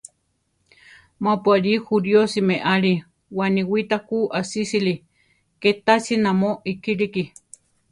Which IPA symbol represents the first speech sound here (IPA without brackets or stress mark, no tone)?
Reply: m